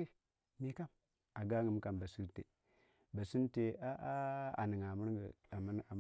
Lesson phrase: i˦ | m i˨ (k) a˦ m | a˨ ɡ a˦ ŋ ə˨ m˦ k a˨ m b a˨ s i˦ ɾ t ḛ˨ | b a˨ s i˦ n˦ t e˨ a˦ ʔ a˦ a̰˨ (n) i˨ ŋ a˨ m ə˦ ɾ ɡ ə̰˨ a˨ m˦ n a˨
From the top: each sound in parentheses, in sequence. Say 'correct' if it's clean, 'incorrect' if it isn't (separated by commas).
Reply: correct, correct